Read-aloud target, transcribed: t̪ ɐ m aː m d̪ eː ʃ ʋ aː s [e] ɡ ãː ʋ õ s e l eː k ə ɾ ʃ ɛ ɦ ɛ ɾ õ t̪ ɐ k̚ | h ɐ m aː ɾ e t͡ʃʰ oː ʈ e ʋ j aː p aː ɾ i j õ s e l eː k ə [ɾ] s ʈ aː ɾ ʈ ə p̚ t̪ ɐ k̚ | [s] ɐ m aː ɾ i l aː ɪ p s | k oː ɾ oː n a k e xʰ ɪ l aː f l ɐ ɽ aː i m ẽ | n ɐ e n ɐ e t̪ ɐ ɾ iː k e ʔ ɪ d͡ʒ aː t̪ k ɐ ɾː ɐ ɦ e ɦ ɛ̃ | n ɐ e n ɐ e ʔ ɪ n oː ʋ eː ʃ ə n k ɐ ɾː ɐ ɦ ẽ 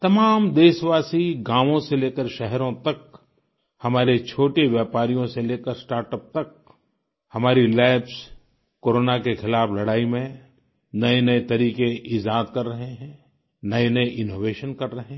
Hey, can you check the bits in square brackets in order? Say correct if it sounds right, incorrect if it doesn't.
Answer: incorrect: i, correct, incorrect: h

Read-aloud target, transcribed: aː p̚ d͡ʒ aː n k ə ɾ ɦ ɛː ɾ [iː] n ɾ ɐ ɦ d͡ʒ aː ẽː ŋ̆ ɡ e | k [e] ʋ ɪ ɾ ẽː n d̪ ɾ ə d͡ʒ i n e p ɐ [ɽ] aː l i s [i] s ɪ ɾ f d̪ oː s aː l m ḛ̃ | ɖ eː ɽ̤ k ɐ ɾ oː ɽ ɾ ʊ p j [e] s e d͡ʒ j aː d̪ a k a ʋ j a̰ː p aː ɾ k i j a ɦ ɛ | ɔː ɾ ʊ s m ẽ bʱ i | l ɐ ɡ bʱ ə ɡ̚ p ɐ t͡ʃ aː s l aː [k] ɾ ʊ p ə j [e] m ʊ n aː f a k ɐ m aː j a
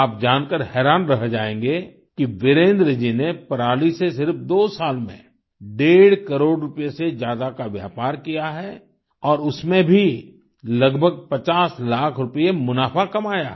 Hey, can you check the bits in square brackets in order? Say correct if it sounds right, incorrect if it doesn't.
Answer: incorrect: aː, incorrect: i, incorrect: ɾ, incorrect: e, correct, incorrect: kʰ, correct

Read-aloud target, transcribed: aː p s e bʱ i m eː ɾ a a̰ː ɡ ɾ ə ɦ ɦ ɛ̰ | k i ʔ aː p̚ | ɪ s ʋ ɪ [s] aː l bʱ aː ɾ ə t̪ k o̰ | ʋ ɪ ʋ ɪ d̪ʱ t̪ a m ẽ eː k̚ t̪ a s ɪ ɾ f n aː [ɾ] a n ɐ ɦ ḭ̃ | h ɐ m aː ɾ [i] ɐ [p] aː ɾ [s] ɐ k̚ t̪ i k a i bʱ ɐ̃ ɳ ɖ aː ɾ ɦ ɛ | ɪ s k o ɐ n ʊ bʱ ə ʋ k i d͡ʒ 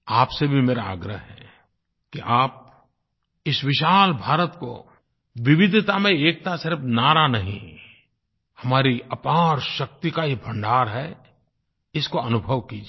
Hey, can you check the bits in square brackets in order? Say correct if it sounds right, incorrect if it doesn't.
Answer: incorrect: ʃ, correct, correct, correct, incorrect: ʃ

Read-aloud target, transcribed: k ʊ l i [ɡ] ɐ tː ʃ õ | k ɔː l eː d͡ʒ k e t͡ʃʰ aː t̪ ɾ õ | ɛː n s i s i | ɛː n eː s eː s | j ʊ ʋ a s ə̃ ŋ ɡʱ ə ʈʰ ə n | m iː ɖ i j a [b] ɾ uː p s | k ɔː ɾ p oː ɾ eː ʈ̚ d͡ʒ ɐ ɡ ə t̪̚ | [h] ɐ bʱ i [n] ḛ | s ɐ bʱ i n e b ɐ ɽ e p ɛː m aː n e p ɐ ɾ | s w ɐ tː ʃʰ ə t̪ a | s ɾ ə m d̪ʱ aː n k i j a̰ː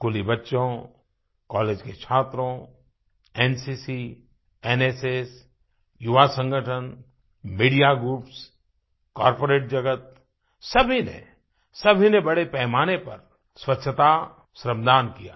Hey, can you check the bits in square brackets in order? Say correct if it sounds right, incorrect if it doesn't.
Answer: incorrect: b, incorrect: ɡ, incorrect: s, correct

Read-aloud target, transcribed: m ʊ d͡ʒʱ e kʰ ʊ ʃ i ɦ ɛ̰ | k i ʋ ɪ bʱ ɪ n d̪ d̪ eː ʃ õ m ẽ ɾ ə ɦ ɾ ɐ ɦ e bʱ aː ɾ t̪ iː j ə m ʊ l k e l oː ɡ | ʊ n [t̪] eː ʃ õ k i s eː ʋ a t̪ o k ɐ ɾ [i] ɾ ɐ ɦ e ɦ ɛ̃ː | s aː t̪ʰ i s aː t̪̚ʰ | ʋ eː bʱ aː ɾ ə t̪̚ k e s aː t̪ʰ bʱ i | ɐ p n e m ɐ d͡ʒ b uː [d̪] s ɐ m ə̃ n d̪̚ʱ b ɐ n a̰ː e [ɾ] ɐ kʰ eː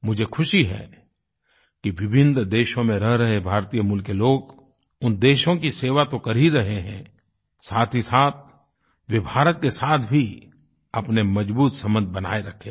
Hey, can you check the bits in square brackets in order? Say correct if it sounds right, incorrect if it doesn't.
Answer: incorrect: d̪, correct, incorrect: t̪, correct

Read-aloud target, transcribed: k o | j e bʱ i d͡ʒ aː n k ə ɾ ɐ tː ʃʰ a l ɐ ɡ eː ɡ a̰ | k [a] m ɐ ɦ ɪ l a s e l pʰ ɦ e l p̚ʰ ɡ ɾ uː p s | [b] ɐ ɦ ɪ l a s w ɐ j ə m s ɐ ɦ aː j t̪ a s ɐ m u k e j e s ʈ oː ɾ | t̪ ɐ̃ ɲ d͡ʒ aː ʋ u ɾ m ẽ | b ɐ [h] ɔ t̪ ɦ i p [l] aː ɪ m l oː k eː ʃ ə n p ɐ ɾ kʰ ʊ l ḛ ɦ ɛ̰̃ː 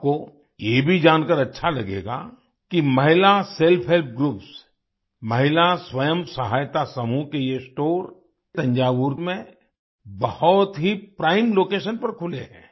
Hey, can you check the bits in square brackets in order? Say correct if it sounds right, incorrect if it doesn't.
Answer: incorrect: i, incorrect: m, correct, incorrect: ɾ

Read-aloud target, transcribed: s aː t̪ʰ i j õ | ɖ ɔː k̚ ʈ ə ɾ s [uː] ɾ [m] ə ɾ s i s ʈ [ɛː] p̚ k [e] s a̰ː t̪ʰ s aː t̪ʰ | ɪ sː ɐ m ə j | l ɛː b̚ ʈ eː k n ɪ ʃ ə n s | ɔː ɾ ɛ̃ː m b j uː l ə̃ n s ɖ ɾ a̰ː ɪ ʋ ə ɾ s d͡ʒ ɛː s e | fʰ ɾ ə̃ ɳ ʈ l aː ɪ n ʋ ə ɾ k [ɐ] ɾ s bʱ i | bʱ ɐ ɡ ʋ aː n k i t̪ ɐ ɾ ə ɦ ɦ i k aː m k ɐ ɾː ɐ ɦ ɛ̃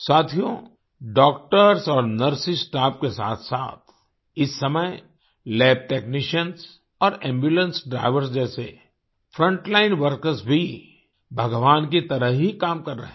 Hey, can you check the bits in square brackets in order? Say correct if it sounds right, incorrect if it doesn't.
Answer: incorrect: ɔː, incorrect: n, incorrect: aː, correct, incorrect: ə

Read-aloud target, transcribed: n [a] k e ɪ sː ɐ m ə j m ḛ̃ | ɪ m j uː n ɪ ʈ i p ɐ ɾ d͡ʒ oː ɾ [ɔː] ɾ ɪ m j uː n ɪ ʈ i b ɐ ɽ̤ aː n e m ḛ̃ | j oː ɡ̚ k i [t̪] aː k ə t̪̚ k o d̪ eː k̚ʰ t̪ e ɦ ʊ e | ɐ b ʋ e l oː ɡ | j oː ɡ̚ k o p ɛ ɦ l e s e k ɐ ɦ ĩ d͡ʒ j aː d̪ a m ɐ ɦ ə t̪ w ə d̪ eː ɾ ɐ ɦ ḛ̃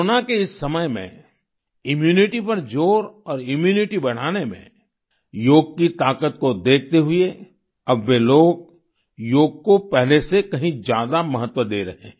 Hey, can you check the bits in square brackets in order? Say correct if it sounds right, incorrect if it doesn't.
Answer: correct, correct, correct

